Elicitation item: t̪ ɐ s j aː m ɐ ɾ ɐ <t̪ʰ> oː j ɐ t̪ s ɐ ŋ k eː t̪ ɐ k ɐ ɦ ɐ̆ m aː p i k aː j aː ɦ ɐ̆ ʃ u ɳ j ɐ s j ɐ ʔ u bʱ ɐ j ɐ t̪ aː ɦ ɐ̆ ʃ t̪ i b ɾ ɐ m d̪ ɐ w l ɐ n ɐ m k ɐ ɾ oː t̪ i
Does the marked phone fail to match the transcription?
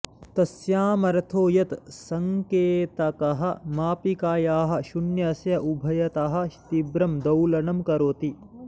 no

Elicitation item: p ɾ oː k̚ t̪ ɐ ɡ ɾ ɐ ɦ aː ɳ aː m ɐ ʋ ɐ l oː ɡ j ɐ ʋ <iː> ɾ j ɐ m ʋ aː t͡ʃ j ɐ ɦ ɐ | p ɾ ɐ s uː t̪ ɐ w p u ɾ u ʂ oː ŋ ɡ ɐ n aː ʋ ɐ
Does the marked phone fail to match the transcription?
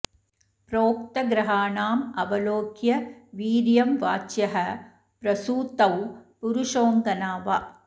no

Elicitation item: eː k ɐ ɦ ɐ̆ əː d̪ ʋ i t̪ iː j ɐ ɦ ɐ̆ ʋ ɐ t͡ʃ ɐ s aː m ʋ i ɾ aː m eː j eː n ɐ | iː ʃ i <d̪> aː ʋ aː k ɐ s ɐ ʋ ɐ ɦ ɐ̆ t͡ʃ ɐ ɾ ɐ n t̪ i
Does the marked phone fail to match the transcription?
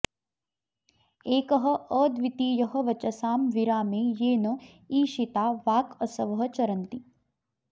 yes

